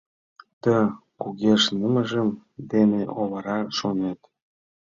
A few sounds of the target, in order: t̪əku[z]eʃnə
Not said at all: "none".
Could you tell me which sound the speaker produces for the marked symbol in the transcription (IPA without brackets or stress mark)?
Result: ɣ